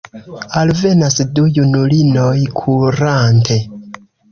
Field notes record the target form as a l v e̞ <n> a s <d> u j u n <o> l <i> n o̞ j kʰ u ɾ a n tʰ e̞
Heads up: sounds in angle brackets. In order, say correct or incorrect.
correct, correct, incorrect: u, correct

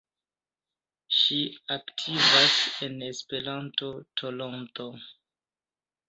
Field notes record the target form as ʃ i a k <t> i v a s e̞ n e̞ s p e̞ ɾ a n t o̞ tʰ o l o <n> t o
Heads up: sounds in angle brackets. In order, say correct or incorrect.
incorrect: tʰ, correct

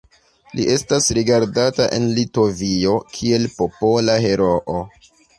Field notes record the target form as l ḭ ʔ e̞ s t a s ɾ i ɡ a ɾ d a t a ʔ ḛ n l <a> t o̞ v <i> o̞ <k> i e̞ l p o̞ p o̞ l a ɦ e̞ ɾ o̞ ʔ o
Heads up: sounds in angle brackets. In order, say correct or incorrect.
incorrect: i, correct, incorrect: kʰ

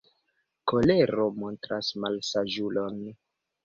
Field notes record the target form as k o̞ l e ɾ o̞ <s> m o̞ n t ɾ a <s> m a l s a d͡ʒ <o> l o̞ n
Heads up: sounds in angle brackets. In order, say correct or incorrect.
incorrect: none, correct, incorrect: u

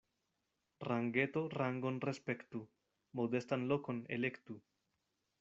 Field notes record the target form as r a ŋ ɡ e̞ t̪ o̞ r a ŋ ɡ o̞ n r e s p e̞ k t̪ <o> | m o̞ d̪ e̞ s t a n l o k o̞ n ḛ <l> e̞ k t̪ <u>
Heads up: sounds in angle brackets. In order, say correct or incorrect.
incorrect: u, correct, correct

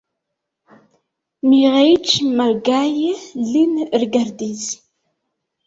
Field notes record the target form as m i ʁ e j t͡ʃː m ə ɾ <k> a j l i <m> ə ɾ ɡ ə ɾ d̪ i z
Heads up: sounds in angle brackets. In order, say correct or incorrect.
incorrect: ɡ, incorrect: n

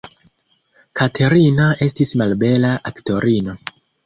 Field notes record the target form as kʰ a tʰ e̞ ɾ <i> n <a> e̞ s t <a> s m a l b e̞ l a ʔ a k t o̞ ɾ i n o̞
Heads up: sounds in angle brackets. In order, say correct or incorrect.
correct, correct, incorrect: i

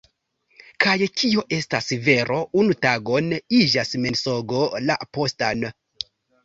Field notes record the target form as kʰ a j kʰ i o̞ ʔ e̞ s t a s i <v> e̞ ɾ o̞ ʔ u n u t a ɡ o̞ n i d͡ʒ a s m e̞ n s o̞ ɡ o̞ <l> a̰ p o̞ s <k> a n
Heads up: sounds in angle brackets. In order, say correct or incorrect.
correct, correct, incorrect: t

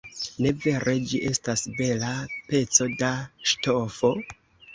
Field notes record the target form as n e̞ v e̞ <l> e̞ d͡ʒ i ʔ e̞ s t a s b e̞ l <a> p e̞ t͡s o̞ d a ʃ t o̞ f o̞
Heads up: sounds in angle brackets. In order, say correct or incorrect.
incorrect: ɾ, correct

